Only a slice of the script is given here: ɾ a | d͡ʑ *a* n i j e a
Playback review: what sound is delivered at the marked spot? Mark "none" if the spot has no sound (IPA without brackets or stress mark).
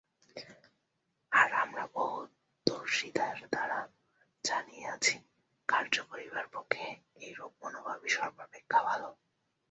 a